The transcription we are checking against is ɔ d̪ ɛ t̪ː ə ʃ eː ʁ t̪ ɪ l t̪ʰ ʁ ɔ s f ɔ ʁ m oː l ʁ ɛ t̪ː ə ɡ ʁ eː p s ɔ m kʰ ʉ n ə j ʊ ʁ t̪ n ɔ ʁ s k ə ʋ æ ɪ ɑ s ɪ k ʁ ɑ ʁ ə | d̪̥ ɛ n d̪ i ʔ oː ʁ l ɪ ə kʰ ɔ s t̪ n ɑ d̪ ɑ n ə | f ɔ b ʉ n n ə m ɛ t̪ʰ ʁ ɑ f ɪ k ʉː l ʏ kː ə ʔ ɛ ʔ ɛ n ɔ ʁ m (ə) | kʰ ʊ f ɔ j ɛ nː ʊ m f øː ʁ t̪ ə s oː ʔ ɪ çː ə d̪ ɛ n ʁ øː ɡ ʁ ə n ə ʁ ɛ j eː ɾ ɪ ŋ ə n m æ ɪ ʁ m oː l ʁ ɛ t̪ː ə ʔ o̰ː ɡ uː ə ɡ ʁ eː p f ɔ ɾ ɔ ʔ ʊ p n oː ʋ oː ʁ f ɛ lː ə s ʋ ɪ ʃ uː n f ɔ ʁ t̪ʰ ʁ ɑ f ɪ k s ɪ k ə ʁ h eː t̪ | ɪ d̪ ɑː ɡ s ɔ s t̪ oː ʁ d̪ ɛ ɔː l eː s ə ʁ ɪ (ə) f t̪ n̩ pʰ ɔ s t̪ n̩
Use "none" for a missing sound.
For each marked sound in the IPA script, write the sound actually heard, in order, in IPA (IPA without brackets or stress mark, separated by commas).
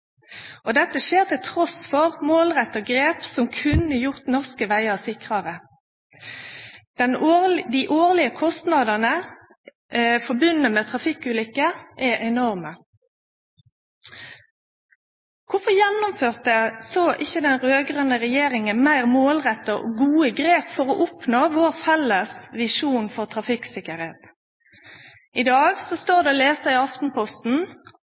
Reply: ə, ɑ